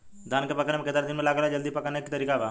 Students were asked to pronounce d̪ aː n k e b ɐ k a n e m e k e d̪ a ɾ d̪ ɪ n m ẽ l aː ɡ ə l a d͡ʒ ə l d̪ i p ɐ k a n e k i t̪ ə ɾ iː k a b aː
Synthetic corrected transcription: d̪ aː n k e p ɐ k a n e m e k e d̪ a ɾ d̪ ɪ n m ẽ l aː ɡ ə l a d͡ʒ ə l d̪ i p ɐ k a n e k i t̪ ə ɾ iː k a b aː